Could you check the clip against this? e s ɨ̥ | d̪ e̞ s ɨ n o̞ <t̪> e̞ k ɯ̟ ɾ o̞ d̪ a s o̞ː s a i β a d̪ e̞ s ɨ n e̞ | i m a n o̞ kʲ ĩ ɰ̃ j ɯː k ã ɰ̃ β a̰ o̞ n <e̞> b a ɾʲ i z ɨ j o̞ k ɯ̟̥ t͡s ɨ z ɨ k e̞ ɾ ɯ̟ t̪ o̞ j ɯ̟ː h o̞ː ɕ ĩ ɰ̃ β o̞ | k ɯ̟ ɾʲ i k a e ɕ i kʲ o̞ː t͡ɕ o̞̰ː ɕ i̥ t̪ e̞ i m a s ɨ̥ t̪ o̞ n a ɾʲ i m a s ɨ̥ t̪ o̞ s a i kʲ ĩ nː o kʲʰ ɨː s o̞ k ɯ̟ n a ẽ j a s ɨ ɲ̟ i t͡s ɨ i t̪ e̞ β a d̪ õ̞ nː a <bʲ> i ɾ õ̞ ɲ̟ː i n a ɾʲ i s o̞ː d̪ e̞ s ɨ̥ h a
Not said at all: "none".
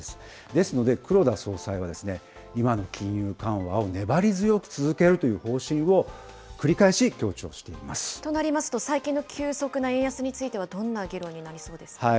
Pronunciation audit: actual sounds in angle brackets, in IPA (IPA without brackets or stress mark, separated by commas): d̪, e̞, ɡʲ